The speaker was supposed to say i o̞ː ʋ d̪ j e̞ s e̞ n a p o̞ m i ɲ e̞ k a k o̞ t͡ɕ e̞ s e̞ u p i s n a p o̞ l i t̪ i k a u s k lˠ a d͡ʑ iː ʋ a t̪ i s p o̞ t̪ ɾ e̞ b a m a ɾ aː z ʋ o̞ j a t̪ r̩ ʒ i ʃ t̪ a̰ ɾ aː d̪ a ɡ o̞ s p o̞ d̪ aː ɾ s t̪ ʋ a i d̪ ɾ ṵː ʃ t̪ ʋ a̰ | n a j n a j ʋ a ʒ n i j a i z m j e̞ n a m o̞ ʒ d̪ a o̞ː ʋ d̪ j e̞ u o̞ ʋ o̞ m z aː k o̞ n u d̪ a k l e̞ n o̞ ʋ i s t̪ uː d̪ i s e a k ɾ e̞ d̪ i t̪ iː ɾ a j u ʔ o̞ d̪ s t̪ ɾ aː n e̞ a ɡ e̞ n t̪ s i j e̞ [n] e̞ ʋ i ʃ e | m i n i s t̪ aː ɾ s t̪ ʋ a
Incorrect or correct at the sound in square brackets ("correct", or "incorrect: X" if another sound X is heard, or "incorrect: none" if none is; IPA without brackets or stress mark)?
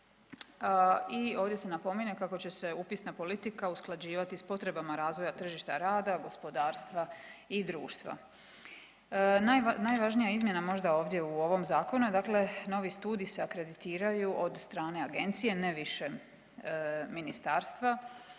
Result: correct